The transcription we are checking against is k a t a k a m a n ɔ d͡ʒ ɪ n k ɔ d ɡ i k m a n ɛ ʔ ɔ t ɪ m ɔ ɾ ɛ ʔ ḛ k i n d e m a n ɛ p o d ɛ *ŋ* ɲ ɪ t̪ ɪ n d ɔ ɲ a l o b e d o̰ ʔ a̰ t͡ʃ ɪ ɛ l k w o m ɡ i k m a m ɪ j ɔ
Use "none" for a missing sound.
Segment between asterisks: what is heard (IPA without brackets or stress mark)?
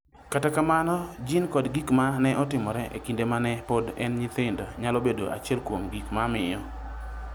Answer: n